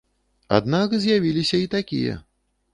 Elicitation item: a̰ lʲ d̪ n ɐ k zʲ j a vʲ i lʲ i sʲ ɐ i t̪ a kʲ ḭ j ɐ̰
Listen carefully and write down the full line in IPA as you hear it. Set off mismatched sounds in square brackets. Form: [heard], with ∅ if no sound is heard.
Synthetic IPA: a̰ [∅] d̪ n [a] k zʲ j a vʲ i lʲ i sʲ ɐ i t̪ a kʲ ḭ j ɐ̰